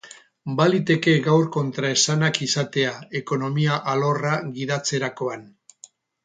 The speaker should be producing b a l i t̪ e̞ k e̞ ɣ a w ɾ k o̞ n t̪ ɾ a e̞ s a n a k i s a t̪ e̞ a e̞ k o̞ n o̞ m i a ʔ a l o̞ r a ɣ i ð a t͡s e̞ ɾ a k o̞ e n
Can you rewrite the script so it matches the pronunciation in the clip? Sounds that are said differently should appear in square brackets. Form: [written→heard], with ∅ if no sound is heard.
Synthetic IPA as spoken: b a l i t̪ e̞ k e̞ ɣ a w ɾ k o̞ n t̪ ɾ a e̞ s a n a k i s a t̪ e̞ a e̞ k o̞ n o̞ m i a ʔ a l o̞ r a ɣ i ð a t͡s e̞ ɾ a k o̞ [e→a] n